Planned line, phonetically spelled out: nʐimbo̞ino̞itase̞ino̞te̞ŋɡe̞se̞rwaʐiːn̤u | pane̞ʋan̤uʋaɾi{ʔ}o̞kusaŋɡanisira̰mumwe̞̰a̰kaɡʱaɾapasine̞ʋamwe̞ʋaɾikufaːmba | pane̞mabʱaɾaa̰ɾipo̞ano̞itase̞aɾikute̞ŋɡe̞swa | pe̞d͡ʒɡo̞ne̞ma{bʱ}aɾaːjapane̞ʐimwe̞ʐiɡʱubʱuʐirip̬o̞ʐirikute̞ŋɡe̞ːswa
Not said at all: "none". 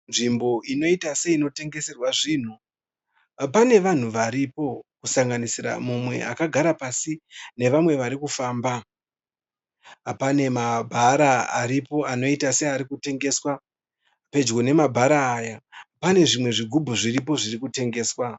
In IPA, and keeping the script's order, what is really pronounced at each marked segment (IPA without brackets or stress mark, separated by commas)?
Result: p, bʱ